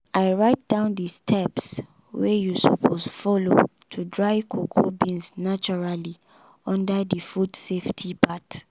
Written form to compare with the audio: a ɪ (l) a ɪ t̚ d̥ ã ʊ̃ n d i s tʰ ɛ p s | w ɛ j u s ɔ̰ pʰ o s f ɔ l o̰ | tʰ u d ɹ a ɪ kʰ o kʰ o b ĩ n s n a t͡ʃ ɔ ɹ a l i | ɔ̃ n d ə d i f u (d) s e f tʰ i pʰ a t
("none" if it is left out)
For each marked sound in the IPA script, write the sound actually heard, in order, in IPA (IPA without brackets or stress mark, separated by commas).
ɹ, d